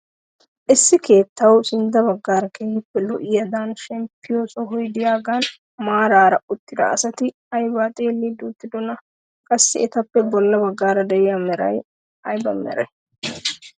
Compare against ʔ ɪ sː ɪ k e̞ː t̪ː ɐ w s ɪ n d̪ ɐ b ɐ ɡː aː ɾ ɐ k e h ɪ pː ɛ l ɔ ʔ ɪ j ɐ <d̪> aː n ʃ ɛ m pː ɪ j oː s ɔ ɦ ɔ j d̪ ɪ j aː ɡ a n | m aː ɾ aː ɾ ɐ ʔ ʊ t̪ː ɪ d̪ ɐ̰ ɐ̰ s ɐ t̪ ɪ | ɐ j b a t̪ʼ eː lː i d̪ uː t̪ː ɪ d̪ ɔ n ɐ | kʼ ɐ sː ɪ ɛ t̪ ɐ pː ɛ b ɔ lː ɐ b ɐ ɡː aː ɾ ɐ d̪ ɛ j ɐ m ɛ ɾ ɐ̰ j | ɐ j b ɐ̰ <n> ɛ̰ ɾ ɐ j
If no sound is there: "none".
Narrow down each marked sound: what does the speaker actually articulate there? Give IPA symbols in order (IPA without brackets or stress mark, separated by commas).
d̪, m